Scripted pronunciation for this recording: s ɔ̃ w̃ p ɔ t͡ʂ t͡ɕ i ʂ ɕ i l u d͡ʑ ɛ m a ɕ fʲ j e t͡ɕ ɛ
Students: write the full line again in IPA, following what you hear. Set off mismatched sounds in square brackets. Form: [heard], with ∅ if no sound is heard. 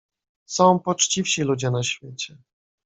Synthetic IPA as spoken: s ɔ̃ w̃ p ɔ t͡ʂ t͡ɕ i [f] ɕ i l u d͡ʑ ɛ [n] a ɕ fʲ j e t͡ɕ ɛ